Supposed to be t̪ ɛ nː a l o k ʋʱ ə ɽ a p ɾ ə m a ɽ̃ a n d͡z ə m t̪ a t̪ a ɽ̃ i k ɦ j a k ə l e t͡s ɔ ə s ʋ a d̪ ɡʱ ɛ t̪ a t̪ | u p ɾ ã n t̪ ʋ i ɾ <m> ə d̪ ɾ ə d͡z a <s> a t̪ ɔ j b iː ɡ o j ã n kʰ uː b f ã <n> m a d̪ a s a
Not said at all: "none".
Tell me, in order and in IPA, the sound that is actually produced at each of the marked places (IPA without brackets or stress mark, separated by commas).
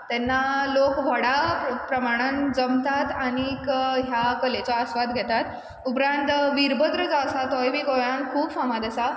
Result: b, s, none